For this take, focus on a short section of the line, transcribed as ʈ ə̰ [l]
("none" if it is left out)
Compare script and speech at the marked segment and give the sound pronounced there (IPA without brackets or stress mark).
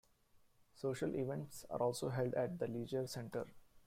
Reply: ɾ